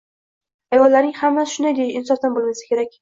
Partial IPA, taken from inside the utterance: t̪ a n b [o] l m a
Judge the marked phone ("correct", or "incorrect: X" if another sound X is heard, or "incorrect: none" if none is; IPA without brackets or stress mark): correct